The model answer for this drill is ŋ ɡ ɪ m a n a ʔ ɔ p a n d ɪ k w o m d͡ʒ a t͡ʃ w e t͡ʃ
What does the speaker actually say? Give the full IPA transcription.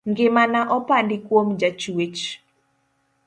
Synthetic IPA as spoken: ŋ ɡ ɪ m a n a ʔ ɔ p a n d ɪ k w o m d͡ʒ a t͡ʃ w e t͡ʃ